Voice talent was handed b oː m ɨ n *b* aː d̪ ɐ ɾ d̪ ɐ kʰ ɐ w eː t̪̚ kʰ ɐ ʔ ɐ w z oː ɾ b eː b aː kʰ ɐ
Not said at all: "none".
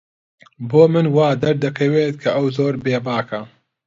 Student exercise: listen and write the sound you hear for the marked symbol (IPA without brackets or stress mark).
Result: w